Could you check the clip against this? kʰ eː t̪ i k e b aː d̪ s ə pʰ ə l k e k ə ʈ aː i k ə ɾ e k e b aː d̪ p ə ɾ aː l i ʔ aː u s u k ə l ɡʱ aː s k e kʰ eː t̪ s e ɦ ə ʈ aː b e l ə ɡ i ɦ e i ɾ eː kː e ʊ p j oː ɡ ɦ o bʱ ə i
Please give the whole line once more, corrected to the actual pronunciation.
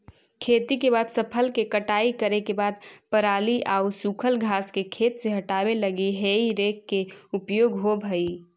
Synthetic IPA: kʰ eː t̪ i k e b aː d̪ s ə pʰ ə l k e k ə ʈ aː i k ə ɾ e k e b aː d̪ p ə ɾ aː l i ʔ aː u s u kʰ ə l ɡʱ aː s k e kʰ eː t̪ s e ɦ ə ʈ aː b e l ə ɡ i ɦ e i ɾ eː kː e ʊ p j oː ɡ ɦ o bʱ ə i